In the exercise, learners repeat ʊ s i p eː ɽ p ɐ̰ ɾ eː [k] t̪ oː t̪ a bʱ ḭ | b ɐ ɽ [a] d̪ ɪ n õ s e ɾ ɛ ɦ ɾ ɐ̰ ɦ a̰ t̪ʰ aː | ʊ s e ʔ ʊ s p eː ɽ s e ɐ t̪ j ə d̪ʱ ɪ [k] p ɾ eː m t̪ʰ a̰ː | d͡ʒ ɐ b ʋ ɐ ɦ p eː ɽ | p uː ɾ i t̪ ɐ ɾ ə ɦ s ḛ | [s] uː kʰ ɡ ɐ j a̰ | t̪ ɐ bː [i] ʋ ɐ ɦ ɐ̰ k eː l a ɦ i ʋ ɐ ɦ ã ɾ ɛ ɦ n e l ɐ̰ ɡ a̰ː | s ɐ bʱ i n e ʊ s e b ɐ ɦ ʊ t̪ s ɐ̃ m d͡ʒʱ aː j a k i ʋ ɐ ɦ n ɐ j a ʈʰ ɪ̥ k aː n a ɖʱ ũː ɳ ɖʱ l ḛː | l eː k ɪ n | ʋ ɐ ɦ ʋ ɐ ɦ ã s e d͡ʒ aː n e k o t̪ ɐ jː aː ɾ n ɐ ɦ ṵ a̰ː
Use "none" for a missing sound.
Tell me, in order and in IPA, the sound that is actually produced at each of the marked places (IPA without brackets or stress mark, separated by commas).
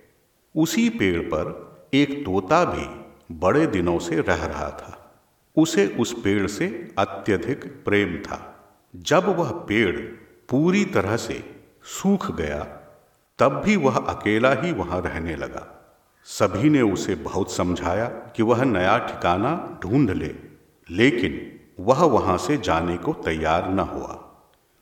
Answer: k, e, k, s, i